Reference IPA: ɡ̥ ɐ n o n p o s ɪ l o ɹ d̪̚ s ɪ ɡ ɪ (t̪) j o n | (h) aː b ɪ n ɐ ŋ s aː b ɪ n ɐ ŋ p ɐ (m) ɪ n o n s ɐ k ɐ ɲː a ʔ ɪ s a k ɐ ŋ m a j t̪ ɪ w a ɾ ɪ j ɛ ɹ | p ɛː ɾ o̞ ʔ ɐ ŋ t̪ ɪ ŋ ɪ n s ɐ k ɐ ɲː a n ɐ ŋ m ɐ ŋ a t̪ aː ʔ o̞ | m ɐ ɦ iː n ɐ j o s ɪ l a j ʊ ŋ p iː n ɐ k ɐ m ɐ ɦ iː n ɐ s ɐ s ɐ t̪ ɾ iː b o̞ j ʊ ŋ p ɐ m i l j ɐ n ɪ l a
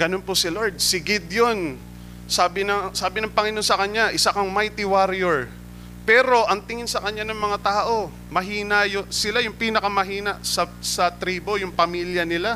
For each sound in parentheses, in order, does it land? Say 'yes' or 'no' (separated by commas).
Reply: no, no, no